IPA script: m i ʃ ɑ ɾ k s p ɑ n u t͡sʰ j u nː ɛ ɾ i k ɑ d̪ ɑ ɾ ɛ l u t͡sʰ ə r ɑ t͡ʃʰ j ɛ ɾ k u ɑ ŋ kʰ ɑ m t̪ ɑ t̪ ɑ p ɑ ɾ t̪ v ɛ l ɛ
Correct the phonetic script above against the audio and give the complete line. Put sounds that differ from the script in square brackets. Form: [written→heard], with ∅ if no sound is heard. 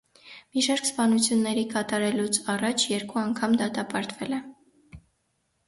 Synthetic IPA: m i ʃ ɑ ɾ k s p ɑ n u t͡sʰ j u nː ɛ ɾ i k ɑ [d̪→t̪] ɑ ɾ ɛ l u t͡sʰ [ə→ɑ] r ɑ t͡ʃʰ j ɛ ɾ k u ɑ ŋ kʰ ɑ m [t̪→d̪] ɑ t̪ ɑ p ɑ ɾ t̪ v ɛ l ɛ